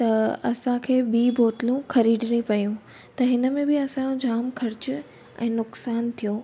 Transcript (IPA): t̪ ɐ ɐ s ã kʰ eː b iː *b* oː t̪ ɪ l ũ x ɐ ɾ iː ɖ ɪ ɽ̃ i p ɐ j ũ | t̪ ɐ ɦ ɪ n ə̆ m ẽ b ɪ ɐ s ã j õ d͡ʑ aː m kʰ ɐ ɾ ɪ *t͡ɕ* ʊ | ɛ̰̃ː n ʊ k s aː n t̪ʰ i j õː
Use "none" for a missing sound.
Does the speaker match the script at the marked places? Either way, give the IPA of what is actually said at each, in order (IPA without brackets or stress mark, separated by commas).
b, t͡ɕ